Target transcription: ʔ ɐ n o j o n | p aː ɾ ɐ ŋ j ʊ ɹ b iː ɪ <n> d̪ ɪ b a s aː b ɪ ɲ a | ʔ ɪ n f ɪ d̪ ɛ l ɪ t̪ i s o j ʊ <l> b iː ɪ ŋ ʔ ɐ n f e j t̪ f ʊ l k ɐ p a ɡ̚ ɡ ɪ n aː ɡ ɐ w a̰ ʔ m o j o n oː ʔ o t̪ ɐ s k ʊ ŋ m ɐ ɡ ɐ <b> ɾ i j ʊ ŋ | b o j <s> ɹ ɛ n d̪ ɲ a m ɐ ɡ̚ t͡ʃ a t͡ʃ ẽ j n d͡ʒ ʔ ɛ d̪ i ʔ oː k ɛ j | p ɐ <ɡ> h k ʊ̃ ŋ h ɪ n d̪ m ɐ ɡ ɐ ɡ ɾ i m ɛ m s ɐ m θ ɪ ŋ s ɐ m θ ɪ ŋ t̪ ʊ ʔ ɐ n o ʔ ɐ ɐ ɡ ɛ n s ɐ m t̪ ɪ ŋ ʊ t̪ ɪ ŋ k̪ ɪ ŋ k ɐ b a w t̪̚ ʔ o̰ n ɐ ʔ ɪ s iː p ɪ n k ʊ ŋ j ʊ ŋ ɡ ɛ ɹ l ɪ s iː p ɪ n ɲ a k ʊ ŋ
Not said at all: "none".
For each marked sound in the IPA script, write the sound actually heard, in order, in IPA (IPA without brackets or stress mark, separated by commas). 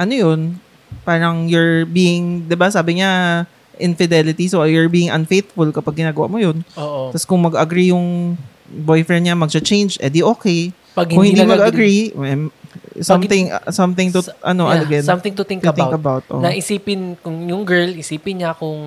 ŋ, ɹ, ɡ, f, ɡ